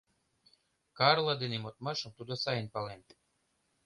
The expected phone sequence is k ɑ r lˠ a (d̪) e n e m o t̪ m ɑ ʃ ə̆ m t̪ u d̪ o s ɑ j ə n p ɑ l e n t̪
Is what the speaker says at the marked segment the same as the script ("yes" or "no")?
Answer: yes